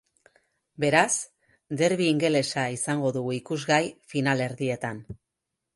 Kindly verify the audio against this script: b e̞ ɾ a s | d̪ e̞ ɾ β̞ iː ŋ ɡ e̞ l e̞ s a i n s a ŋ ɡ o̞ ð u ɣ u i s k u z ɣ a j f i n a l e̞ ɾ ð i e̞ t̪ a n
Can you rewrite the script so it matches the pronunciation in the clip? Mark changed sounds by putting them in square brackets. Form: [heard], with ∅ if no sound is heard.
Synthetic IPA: b e̞ ɾ a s | d̪ e̞ ɾ β̞ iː ŋ ɡ e̞ l e̞ s a i [∅] s a ŋ ɡ o̞ ð u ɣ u i [∅] k u z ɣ a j f i n a l e̞ ɾ ð i e̞ t̪ a n